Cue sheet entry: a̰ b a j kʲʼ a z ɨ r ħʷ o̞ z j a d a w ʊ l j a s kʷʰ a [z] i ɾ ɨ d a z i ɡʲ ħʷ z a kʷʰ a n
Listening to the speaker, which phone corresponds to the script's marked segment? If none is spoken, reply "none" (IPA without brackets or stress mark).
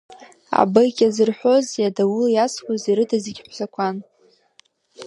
z